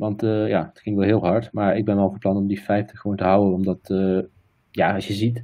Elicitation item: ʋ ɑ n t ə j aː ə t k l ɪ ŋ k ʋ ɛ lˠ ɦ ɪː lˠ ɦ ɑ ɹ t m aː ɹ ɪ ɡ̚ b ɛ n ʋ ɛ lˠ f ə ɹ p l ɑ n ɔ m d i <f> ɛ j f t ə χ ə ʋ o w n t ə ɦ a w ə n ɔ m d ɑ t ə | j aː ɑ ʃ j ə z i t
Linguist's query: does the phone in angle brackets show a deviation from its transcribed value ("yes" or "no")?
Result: no